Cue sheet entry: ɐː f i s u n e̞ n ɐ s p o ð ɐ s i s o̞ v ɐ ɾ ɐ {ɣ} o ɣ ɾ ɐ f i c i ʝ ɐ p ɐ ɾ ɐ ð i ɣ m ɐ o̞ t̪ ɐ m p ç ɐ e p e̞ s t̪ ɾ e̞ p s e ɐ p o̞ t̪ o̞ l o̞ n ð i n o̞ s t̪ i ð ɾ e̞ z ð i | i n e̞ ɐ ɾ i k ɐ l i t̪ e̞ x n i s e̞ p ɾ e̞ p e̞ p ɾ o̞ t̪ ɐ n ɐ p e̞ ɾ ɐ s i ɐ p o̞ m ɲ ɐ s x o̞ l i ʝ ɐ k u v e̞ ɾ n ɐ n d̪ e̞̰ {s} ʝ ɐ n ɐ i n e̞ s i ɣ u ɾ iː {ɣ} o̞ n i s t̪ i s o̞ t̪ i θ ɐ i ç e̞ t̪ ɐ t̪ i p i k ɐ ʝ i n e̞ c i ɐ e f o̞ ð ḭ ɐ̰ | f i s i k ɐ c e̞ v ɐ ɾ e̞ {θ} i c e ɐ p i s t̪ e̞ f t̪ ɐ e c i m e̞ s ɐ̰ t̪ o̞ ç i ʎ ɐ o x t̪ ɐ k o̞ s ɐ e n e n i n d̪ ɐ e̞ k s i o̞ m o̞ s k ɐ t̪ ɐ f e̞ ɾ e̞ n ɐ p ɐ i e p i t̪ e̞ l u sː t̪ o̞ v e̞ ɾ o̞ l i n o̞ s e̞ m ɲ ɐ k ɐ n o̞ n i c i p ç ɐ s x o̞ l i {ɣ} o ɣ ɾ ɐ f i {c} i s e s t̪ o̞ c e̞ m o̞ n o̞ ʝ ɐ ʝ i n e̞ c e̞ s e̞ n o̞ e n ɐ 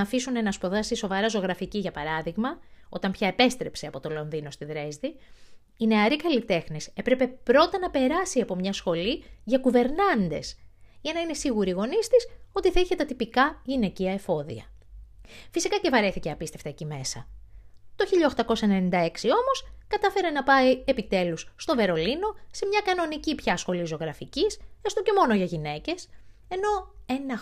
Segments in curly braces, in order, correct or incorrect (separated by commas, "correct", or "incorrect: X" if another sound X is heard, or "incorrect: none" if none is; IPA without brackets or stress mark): incorrect: z, correct, correct, correct, incorrect: z, correct